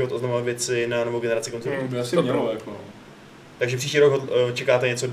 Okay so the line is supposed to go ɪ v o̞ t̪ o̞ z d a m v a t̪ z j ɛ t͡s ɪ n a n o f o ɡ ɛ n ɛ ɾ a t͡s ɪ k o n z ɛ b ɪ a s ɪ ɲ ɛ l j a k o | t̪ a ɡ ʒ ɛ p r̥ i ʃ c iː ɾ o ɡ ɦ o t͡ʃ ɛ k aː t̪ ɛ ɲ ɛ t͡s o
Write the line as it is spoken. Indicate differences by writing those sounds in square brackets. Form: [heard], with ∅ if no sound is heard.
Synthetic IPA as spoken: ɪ v o̞ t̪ o̞ z [n] a m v a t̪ [v] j ɛ t͡s ɪ n a n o [v] o ɡ ɛ n ɛ ɾ a t͡s ɪ k o n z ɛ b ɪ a s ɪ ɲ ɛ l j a k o | t̪ a ɡ ʒ ɛ p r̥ i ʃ c iː ɾ o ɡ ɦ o t͡ʃ ɛ k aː t̪ ɛ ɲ ɛ t͡s o